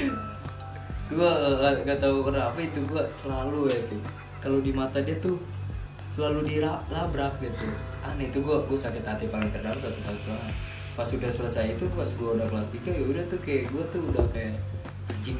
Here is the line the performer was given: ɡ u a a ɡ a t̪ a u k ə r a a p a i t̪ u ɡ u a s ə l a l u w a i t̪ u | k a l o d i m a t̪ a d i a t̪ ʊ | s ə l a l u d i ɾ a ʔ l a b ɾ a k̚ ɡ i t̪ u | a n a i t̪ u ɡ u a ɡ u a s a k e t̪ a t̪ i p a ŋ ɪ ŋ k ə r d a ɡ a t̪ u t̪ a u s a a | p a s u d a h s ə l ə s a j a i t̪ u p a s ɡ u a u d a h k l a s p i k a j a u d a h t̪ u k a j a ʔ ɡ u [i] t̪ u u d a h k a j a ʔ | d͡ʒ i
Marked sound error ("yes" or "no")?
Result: yes